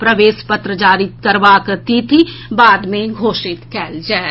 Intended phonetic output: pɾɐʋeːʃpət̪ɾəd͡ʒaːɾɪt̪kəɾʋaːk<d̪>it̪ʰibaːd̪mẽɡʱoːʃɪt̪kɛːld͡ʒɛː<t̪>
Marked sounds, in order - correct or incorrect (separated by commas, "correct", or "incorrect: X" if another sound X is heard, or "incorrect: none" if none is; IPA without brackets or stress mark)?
incorrect: t̪, incorrect: none